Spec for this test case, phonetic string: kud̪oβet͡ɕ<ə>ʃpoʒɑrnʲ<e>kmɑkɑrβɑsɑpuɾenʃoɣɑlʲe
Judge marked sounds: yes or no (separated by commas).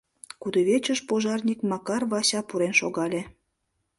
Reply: yes, no